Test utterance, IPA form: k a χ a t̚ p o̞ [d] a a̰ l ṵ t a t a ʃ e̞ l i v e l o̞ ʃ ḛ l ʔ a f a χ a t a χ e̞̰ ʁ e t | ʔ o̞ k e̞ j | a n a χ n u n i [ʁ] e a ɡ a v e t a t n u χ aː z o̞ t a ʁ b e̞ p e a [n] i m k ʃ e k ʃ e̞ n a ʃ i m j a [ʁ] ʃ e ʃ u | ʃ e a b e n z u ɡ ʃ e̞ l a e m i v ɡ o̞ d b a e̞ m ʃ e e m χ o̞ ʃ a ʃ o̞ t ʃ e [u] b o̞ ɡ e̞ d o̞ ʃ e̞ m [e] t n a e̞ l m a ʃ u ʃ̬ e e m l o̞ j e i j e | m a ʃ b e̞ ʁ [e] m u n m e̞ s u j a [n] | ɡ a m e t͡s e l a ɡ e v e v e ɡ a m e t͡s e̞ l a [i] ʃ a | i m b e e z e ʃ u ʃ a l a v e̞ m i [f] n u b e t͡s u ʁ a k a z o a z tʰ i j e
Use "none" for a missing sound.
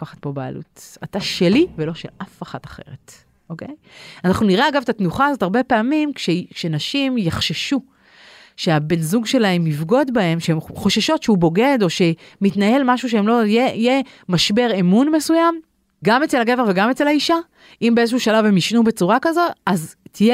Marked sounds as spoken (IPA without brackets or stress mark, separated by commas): b, ʁ, m, χ, u, i, e, m, i, ʃ